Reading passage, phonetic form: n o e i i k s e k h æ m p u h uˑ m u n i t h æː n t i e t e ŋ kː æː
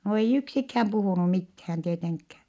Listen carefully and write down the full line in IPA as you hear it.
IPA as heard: n o e i y k s i k h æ m p u h uˑ n u m i t h æː n t i e t e ŋ kː æː